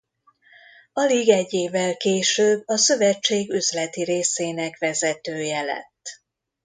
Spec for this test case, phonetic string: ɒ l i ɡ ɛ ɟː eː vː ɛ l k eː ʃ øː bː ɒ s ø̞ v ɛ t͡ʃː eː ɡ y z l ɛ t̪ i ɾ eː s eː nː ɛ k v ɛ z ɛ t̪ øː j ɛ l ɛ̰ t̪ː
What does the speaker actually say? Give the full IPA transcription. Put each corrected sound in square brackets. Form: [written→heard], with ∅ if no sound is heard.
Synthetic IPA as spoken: ɒ l i ɡ ɛ ɟː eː vː ɛ l k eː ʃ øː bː ɒ s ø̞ v ɛ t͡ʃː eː ɡ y z l ɛ t̪ i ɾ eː s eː [nː→n] ɛ k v ɛ z ɛ t̪ øː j ɛ l ɛ̰ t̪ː